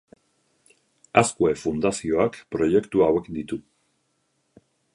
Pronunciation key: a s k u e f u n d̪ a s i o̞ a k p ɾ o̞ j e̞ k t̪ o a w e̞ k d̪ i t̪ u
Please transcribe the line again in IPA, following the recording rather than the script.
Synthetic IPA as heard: a s k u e f u n d̪ a s i o̞ a k p ɾ o̞ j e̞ k t̪ u a w e̞ k d̪ i t̪ u